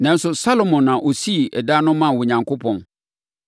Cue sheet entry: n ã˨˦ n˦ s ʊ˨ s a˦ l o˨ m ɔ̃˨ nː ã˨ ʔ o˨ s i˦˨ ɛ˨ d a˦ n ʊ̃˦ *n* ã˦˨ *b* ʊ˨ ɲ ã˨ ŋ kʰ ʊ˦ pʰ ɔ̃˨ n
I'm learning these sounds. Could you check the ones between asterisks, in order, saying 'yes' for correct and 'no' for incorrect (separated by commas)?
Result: no, no